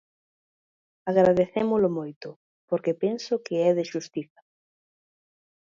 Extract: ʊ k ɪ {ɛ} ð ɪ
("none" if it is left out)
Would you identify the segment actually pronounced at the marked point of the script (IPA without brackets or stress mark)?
ɛ